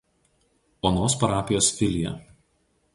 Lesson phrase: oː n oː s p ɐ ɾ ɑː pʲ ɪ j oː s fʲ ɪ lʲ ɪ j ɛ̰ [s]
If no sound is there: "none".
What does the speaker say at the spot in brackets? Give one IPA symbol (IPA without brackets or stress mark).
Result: none